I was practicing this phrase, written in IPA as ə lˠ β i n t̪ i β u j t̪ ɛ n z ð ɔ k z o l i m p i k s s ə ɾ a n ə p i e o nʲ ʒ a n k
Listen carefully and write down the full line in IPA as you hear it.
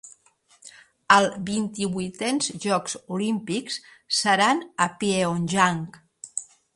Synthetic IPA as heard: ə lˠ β i n t̪ i β u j t̪ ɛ n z ʒ ɔ k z u l i m p i k s s ə ɾ a n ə p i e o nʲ ʒ a ŋ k